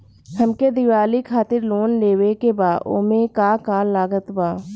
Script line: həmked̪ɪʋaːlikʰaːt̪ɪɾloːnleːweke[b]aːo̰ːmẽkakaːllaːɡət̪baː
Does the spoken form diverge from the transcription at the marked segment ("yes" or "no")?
no